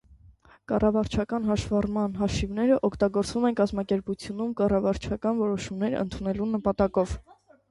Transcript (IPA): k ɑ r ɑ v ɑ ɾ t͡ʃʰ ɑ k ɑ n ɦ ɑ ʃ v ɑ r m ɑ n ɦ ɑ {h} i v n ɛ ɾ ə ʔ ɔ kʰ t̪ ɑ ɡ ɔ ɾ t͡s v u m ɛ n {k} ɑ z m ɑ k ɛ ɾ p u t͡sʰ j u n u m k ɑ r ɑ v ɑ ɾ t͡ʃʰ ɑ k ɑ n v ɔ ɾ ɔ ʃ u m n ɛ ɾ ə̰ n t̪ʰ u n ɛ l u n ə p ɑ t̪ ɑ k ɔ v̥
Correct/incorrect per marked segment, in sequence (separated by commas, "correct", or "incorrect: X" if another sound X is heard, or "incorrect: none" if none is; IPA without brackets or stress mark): incorrect: ʃ, correct